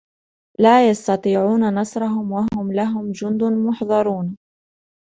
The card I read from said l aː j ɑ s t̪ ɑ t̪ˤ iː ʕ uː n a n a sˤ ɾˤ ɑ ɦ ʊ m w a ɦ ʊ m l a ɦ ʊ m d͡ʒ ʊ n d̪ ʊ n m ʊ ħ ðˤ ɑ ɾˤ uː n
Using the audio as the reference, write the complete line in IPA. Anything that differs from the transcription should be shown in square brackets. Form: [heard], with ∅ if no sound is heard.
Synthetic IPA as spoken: l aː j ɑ s t̪ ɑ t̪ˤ iː ʕ uː n a n [ɑ] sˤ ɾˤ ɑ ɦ ʊ m w a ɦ ʊ m l a ɦ ʊ m d͡ʒ ʊ n d̪ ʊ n m ʊ ħ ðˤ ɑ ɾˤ uː n